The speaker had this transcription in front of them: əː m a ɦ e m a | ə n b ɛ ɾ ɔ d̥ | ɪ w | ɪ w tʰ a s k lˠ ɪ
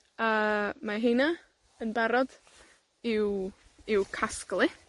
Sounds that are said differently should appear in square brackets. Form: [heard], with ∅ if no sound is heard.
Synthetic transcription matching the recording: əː m a ɦ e [n] a | ə n b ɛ ɾ ɔ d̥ | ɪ w | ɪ w [kʰ] a s k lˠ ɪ